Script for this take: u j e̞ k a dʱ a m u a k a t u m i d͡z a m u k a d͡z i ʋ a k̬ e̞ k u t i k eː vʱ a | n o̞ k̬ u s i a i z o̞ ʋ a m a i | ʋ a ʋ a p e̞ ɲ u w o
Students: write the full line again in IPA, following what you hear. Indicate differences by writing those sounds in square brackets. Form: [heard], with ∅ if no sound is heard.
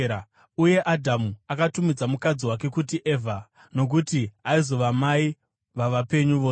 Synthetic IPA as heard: u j e̞ [ʔ] a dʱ a m u a k a t u m i d͡z a m u k a d͡z i [w] a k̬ e̞ k u t i [ʔ] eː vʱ a | n o̞ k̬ u [t] i a i z o̞ ʋ a m a i | ʋ a ʋ a p e̞ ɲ u [ʋ] o